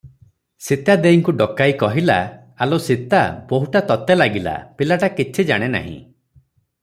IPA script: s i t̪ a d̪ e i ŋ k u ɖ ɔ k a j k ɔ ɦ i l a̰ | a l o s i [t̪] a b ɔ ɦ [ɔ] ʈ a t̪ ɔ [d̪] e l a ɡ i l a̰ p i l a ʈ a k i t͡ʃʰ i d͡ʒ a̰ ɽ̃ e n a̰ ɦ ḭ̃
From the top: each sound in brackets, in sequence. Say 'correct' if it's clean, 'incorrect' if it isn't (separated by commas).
correct, incorrect, incorrect